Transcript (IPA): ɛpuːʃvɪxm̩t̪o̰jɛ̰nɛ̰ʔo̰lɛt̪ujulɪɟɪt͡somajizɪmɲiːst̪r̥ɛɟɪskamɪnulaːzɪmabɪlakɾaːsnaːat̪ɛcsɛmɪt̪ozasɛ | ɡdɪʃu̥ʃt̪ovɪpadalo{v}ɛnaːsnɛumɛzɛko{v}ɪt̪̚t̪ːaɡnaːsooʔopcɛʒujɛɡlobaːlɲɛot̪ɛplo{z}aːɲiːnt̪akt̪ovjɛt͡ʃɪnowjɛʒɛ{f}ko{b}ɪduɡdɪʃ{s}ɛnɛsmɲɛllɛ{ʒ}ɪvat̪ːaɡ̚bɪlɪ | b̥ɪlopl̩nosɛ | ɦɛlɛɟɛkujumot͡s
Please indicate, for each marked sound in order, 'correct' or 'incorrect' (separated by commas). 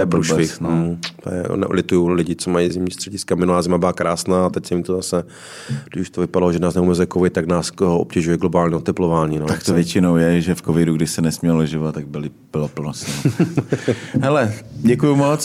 incorrect, correct, incorrect, correct, incorrect, correct, correct